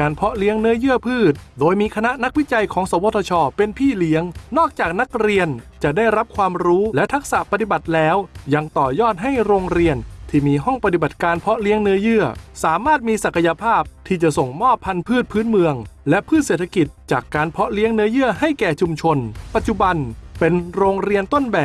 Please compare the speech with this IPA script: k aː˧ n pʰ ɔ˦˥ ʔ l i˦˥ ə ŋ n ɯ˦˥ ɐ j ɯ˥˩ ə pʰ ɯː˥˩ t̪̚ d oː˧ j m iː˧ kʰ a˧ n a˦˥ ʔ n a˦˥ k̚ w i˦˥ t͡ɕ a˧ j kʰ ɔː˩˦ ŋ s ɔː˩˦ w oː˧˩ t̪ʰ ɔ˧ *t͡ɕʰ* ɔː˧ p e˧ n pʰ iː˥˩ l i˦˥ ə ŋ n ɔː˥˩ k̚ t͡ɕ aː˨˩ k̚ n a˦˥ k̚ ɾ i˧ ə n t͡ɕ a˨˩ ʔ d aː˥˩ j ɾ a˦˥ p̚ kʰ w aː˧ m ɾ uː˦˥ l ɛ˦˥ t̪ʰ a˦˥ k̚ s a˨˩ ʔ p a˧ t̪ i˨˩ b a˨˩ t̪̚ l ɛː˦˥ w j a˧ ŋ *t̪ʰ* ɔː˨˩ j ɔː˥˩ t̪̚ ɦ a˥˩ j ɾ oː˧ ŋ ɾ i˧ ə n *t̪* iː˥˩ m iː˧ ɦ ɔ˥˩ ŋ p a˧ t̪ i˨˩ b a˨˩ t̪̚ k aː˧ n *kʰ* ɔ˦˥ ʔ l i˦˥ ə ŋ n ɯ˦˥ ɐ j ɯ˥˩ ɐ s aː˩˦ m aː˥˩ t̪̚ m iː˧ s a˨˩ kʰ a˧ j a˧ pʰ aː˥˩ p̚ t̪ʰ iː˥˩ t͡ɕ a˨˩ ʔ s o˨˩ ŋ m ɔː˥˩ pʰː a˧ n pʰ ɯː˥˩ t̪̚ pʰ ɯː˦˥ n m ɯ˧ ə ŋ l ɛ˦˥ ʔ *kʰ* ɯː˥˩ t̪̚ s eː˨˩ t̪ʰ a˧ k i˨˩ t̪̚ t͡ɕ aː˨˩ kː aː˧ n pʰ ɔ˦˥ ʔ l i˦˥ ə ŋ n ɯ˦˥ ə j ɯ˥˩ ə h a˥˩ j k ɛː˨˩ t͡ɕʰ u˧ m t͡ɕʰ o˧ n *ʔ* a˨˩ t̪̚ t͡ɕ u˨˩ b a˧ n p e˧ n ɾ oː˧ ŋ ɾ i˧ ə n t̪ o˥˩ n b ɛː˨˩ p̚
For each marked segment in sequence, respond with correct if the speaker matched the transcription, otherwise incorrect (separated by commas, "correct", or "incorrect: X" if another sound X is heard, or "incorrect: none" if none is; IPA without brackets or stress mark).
correct, incorrect: t̪, incorrect: t̪ʰ, incorrect: pʰ, incorrect: pʰ, incorrect: p